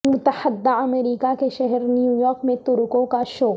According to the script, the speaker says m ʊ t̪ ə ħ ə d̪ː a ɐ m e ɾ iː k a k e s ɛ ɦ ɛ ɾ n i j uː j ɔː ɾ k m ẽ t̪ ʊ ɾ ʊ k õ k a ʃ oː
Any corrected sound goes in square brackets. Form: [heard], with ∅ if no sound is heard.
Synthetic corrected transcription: m ʊ t̪ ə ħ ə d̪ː a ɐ m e ɾ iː k a k e [ʃ] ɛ ɦ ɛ ɾ n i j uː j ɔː ɾ k m ẽ t̪ ʊ ɾ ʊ k õ k a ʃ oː

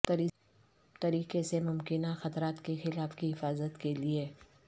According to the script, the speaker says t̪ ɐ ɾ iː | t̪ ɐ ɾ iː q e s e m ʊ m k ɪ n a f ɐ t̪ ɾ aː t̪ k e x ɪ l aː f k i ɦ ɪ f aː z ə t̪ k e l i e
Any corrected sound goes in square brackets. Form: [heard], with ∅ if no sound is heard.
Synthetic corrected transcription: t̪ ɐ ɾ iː | t̪ ɐ ɾ iː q e s e m ʊ m k ɪ n a [x] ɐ t̪ ɾ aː t̪ k e x ɪ l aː f k i ɦ ɪ f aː z ə t̪ k e l i e

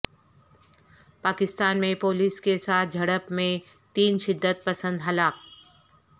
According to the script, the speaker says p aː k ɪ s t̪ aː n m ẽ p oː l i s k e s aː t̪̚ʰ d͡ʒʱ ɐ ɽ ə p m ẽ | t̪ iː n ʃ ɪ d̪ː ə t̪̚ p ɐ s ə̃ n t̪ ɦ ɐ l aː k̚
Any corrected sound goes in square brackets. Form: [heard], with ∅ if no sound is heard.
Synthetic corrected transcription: p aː k ɪ s t̪ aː n m ẽ p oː l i s k e s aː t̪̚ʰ d͡ʒʱ ɐ ɽ ə p m ẽ | t̪ iː n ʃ ɪ d̪ː ə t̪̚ p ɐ s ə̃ n [d̪] ɦ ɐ l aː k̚

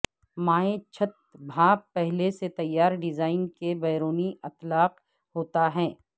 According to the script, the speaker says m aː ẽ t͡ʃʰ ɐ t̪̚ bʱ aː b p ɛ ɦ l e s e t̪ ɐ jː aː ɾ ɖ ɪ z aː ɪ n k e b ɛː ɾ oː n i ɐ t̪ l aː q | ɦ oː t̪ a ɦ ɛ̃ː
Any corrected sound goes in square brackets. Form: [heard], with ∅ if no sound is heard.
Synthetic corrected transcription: m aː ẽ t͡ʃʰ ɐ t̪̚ bʱ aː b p ɛ ɦ l e s e t̪ ɐ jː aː ɾ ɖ ɪ z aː ɪ n k e b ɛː ɾ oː n i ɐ t̪ l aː q | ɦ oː t̪ a ɦ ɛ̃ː

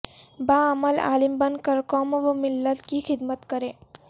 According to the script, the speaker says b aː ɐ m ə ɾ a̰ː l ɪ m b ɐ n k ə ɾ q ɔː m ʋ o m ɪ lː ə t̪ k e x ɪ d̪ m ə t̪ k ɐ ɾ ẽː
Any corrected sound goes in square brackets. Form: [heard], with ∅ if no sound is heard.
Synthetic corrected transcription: b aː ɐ m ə [l] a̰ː l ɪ m b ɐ n k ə ɾ [k] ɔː m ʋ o m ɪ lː ə t̪ k [i] x ɪ d̪ m ə t̪ k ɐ ɾ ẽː

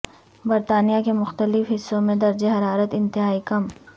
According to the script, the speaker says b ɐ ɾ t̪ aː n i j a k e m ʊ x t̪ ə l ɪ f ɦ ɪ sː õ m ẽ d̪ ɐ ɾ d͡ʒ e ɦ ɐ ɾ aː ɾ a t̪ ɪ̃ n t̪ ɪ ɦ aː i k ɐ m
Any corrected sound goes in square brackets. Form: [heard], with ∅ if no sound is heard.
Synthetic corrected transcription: b ɐ ɾ t̪ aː n i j a k e m ʊ x t̪ ə l ɪ f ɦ ɪ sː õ m ẽ d̪ ɐ ɾ d͡ʒ e ɦ ɐ ɾ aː ɾ [ə] t̪ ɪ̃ n t̪ ɪ ɦ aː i k ɐ m

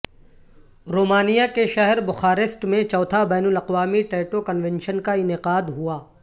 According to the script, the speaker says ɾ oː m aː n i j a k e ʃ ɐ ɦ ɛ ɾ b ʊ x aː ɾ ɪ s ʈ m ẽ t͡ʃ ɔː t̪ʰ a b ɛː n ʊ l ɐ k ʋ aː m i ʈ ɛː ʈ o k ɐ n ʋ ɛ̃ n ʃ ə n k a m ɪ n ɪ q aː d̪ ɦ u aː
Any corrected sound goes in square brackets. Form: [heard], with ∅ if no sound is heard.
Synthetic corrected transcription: ɾ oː m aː n i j a k e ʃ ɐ ɦ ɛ ɾ b ʊ x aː ɾ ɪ s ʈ m ẽ t͡ʃ ɔː t̪ʰ a b ɛː n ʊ l ɐ [q] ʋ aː m i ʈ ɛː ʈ o k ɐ n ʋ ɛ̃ n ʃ ə n k a [∅] ɪ n ɪ q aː d̪ ɦ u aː

